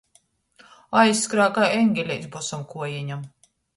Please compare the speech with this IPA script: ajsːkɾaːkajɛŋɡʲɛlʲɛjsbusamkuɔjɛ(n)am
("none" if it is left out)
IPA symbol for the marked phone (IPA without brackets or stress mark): ɲ